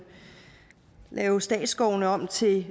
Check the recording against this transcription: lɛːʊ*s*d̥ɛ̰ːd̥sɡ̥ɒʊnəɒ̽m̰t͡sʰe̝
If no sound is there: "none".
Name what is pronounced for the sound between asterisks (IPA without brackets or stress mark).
s